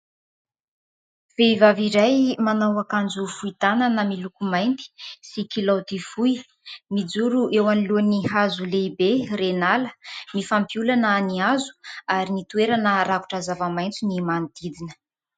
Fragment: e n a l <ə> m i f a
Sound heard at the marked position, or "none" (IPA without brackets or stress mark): ə